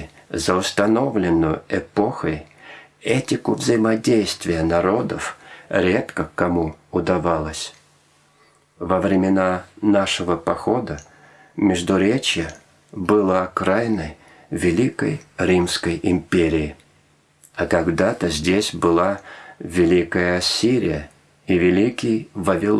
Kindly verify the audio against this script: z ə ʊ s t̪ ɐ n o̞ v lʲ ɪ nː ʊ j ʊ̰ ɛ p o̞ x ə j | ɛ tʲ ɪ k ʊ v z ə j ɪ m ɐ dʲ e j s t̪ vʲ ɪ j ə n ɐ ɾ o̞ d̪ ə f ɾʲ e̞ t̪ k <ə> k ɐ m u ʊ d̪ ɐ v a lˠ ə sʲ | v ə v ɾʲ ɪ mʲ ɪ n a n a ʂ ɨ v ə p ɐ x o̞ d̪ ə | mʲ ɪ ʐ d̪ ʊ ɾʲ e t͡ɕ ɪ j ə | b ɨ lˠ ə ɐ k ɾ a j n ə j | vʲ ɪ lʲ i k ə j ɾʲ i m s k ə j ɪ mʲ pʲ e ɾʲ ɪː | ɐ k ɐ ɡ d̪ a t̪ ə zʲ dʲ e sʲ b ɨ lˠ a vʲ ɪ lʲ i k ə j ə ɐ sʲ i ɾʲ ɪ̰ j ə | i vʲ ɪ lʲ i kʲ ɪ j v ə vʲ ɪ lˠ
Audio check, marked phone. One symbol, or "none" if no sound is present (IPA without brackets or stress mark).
ə